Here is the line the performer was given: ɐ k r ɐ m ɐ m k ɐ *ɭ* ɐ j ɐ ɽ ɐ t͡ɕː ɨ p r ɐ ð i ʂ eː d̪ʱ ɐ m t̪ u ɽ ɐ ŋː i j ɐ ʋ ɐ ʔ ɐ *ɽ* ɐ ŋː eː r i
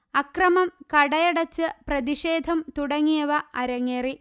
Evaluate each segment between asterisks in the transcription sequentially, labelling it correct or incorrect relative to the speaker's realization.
incorrect: ɽ, incorrect: ɾ

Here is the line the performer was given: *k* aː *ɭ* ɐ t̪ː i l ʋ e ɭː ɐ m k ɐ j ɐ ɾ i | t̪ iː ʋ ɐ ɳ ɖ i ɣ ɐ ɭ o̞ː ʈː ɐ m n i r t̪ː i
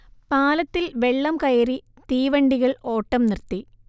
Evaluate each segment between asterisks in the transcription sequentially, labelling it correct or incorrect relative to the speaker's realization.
incorrect: p, incorrect: l

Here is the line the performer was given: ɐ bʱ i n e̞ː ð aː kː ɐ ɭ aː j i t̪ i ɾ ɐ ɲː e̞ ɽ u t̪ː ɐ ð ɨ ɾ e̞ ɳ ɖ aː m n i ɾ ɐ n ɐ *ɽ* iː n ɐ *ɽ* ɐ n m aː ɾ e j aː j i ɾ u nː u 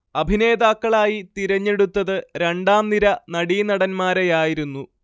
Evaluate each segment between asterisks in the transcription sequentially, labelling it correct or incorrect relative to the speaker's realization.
correct, correct

